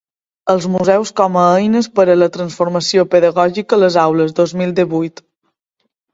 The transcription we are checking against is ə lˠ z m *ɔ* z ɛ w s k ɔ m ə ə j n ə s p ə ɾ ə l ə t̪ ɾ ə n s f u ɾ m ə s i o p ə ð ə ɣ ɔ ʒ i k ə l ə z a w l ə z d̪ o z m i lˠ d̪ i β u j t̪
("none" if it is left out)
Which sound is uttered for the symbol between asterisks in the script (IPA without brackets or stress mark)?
u